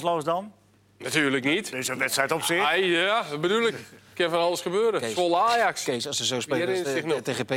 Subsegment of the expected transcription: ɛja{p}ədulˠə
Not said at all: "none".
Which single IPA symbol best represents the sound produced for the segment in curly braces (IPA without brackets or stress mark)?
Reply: b